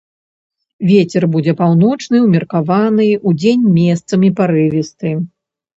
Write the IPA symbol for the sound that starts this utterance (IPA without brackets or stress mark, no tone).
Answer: vʲ